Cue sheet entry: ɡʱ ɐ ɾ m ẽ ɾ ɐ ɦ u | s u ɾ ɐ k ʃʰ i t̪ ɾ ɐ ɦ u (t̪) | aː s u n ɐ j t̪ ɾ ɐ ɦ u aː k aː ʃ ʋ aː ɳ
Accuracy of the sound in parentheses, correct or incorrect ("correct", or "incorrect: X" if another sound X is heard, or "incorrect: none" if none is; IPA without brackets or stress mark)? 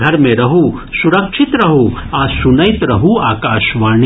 incorrect: none